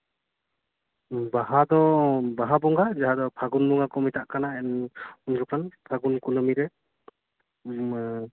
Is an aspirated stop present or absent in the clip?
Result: present